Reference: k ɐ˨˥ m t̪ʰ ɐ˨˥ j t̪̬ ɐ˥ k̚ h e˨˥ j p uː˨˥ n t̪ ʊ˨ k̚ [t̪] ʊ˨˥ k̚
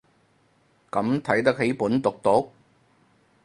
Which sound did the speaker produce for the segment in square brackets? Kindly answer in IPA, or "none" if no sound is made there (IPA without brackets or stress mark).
t̪